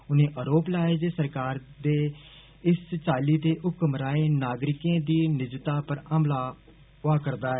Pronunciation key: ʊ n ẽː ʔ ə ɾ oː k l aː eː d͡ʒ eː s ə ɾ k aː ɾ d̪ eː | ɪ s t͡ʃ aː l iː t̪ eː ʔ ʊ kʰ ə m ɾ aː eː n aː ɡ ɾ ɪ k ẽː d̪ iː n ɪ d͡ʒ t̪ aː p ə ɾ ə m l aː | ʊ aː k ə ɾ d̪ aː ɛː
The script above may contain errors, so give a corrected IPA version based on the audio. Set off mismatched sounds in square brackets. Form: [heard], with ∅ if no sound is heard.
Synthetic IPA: ʊ n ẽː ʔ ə ɾ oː [p] l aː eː d͡ʒ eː s ə ɾ k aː ɾ d̪ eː | ɪ s t͡ʃ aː l iː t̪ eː ʔ ʊ [k] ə m ɾ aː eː n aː ɡ ɾ ɪ k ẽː d̪ iː n ɪ d͡ʒ t̪ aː p ə ɾ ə m l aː | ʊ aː k ə ɾ d̪ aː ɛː